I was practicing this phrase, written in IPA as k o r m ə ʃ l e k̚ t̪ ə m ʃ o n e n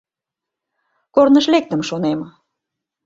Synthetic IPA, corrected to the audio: k o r n ə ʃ l e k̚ t̪ ə m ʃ o n e m